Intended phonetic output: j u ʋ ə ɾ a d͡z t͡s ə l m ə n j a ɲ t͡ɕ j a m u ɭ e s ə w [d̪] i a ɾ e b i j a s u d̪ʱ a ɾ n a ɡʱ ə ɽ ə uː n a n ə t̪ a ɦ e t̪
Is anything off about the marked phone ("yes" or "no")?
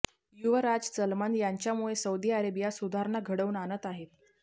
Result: no